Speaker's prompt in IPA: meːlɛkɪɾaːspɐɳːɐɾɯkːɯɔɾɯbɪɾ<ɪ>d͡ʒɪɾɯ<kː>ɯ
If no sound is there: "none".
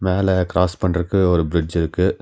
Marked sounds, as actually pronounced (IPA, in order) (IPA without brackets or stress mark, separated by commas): ɪ, kː